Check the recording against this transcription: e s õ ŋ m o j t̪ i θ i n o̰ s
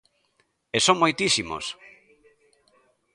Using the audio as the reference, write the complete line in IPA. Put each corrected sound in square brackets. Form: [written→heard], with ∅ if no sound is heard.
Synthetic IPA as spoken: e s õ ŋ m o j t̪ i [θ→s] i [n→m] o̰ s

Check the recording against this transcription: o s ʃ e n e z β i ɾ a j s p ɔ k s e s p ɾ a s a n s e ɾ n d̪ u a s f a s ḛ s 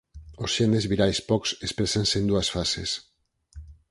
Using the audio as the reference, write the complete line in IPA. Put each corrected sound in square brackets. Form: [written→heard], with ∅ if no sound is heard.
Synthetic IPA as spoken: o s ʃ e n e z β i ɾ a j s p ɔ k s e s p ɾ [a→e] s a n s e [ɾ→∅] n d̪ u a s f a s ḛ s

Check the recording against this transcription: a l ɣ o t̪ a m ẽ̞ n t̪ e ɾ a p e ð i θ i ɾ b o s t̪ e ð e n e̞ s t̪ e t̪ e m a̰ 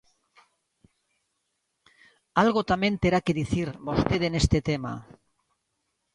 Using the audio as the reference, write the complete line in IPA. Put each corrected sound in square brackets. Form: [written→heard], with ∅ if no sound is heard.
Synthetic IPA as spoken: a l ɣ o t̪ a m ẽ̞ n t̪ e ɾ a [p→k] e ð i θ i ɾ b o s t̪ e ð e n e̞ s t̪ e t̪ e m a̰

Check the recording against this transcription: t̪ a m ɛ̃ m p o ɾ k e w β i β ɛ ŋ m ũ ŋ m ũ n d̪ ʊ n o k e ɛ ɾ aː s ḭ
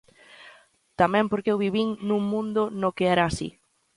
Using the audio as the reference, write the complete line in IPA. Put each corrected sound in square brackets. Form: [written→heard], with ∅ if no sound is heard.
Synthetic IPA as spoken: t̪ a m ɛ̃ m p o ɾ k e w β i β [ɛ→i] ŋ [m→n] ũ ŋ m ũ n d̪ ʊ n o k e ɛ ɾ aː s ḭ

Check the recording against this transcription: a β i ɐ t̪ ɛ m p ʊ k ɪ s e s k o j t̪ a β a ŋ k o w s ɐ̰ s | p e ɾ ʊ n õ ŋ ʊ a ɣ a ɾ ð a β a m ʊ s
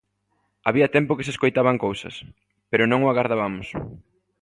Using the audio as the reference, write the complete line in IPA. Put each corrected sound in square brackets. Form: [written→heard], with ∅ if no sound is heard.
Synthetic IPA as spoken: a β i ɐ t̪ ɛ m p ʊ k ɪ s e s k o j t̪ a β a ŋ k o w s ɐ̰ s | p e ɾ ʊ n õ ŋ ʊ a ɣ a ɾ ð a β a m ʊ s

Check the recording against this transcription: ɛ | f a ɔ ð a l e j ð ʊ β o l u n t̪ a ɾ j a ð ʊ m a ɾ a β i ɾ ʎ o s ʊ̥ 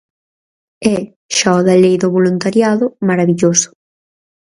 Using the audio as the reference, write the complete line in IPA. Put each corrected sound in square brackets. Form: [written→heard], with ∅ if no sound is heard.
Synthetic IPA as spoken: ɛ | [f→ʃ] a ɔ ð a l e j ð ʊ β o l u n t̪ a ɾ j a ð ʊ m a ɾ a β i [ɾ→∅] ʎ o s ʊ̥

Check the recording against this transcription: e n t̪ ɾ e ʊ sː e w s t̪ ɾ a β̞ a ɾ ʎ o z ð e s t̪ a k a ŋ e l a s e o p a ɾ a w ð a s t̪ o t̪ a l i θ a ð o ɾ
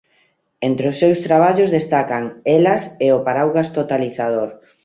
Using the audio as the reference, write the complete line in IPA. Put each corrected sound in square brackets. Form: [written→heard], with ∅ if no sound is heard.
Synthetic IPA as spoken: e n t̪ ɾ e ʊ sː e w s t̪ ɾ a β̞ a [ɾ→∅] ʎ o z ð e s t̪ a k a ŋ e l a s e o p a ɾ a w [ð→ɣ] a s t̪ o t̪ a l i θ a ð o ɾ

